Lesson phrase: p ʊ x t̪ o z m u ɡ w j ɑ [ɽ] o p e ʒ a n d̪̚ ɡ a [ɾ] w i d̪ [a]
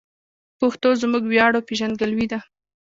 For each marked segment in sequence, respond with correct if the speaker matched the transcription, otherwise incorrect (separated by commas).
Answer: correct, incorrect, correct